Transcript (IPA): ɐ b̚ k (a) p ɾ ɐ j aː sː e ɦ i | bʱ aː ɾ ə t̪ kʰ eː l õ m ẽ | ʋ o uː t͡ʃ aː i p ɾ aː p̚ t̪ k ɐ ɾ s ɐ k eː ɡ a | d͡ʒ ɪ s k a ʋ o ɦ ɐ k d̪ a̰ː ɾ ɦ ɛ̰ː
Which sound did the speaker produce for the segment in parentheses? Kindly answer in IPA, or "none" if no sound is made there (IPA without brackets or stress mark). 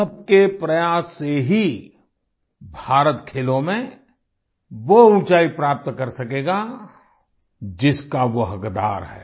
e